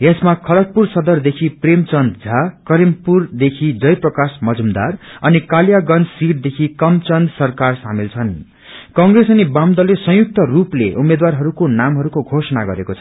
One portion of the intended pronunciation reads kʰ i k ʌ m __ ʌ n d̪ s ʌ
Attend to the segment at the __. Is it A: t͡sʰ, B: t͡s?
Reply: B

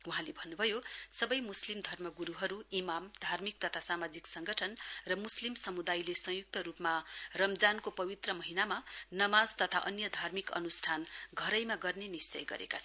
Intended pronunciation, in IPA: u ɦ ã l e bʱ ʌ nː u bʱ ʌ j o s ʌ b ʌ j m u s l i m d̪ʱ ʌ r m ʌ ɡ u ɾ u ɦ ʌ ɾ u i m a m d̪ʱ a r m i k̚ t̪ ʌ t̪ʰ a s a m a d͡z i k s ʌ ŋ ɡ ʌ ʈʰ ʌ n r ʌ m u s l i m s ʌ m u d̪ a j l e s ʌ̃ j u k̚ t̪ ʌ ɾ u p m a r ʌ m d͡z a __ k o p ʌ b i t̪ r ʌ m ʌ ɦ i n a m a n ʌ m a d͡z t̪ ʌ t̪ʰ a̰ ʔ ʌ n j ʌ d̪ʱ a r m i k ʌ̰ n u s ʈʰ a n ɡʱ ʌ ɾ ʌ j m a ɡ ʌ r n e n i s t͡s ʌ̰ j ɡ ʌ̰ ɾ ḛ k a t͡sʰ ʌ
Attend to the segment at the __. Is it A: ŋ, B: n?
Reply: B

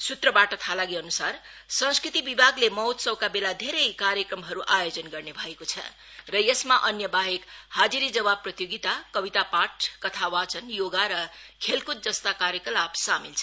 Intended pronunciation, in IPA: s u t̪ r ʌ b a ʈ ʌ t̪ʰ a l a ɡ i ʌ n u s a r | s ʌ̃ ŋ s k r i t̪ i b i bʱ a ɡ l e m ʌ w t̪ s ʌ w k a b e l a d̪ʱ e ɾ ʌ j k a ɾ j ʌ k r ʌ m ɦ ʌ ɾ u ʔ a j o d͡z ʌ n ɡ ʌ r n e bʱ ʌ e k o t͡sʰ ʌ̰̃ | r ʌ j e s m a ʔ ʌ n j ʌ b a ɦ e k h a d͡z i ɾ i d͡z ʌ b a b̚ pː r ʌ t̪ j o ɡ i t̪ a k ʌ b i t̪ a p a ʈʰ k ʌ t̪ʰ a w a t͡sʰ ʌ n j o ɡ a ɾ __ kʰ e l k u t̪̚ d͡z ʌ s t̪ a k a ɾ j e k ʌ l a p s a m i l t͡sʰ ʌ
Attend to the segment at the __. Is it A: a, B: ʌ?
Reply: B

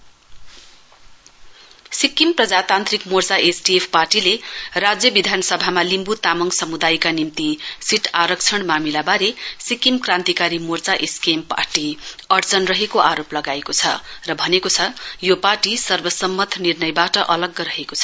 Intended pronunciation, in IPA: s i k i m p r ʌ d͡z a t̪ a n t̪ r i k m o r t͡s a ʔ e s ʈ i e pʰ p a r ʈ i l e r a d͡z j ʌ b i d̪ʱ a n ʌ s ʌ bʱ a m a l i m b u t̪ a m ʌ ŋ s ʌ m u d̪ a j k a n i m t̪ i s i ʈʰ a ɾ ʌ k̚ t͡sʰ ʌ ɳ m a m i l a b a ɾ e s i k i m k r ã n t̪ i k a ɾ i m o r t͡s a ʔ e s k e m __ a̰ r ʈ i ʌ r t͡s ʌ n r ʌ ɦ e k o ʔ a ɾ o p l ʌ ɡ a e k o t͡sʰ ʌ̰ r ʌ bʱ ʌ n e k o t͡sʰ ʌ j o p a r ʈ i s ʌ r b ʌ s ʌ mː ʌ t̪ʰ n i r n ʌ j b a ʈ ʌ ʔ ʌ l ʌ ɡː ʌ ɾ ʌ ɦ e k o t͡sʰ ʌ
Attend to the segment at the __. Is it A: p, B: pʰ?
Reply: A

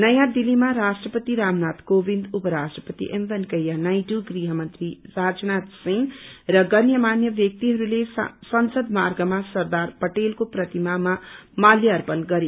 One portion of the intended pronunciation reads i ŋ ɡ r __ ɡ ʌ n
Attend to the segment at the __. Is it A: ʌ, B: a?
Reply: A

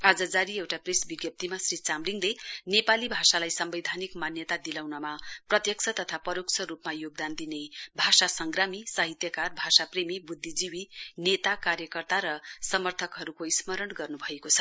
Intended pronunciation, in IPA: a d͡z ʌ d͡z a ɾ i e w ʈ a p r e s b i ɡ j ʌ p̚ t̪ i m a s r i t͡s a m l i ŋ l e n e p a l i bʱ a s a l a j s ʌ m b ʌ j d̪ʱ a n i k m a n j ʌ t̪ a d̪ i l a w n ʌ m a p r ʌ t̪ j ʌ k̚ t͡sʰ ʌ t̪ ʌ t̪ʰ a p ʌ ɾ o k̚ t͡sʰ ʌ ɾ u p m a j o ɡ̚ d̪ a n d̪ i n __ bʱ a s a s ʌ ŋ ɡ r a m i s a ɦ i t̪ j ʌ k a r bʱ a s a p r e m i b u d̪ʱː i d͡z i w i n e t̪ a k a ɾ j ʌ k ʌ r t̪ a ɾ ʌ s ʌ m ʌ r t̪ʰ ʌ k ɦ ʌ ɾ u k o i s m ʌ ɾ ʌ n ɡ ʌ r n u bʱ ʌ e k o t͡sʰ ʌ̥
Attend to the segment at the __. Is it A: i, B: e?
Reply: B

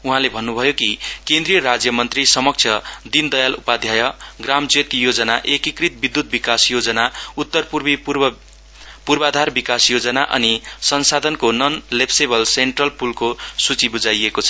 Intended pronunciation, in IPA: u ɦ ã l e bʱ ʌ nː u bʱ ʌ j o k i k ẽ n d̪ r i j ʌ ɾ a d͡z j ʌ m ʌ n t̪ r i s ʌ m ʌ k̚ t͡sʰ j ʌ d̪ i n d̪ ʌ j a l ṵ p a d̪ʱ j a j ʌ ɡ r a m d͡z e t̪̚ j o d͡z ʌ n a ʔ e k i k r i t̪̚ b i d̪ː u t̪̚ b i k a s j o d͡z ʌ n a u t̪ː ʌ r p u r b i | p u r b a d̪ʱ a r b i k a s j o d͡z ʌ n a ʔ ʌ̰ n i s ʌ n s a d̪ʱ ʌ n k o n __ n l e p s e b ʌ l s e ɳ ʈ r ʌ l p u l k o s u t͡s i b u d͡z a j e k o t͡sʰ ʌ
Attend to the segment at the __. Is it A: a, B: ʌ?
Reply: B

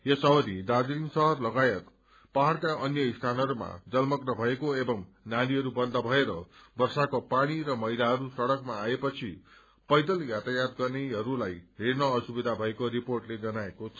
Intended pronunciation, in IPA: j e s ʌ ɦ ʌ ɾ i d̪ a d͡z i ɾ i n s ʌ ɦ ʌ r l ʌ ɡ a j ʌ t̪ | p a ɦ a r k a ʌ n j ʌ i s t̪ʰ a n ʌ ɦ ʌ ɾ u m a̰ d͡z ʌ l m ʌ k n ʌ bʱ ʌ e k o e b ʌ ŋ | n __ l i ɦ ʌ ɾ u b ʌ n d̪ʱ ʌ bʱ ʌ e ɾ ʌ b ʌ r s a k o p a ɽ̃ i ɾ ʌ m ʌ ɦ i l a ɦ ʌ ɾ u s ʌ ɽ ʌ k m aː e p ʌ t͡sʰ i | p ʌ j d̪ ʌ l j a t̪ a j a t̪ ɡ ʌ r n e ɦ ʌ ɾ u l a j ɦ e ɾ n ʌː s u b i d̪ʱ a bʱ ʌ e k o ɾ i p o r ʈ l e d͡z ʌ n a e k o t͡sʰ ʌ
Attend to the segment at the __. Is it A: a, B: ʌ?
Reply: A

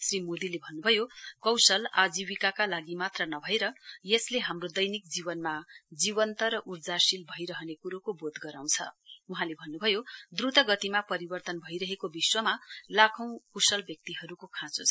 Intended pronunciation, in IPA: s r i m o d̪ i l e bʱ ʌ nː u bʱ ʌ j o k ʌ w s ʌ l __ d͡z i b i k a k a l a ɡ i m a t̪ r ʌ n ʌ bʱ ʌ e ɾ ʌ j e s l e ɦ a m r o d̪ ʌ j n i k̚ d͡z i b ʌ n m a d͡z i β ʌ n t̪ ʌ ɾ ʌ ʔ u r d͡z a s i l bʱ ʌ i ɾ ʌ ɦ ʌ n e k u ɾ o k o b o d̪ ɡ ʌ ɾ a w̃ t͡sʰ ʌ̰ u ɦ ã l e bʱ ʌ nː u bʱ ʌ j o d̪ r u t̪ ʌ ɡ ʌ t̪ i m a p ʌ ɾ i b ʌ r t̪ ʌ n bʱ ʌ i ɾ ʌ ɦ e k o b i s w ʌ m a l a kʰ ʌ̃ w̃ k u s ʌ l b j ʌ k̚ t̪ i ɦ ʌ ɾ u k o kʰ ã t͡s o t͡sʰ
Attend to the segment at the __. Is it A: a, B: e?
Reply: A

